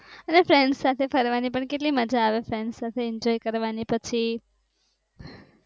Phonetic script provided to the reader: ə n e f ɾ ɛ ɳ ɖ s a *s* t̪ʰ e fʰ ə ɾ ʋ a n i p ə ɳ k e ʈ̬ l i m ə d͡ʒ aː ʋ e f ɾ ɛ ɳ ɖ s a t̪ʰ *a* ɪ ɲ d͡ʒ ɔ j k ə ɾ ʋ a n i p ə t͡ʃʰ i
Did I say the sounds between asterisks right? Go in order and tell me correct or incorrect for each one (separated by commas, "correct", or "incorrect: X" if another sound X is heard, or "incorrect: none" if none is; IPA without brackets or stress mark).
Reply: incorrect: none, incorrect: e